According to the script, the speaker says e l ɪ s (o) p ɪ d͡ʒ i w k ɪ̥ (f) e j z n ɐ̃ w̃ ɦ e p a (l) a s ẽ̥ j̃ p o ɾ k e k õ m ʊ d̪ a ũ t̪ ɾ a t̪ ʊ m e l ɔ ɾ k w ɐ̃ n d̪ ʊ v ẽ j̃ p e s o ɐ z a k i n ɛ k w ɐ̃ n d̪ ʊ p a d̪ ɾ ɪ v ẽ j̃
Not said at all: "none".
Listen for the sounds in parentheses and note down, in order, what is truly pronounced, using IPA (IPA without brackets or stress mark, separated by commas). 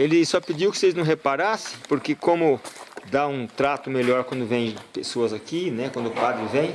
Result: ɔ, s, ɾ